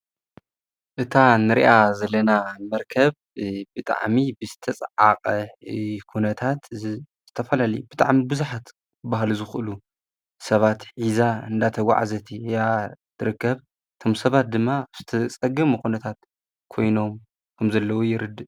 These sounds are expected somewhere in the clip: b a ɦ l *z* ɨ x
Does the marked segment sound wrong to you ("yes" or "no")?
no